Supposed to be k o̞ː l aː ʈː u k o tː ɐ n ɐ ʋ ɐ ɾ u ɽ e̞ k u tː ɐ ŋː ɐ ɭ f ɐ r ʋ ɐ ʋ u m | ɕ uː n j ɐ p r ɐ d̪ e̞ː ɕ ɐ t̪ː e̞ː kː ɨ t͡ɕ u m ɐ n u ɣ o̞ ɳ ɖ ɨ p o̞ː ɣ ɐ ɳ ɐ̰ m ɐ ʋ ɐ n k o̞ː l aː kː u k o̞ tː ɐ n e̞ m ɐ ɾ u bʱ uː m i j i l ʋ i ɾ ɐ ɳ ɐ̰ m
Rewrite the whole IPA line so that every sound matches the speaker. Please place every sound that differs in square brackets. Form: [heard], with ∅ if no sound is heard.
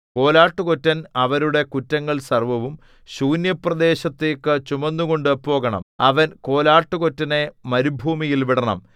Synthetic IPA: k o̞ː l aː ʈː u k o tː ɐ n ɐ ʋ ɐ ɾ u ɽ e̞ k u tː ɐ ŋː ɐ ɭ [s] ɐ r ʋ ɐ ʋ u m | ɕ uː n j ɐ p r ɐ d̪ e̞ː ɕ ɐ t̪ː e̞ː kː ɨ t͡ɕ u m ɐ [nː] u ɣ o̞ ɳ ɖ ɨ p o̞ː ɣ ɐ ɳ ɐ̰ m ɐ ʋ ɐ n k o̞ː l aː [ʈː] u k o̞ tː ɐ n e̞ m ɐ ɾ u bʱ uː m i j i l ʋ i [ɽ] ɐ ɳ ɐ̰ m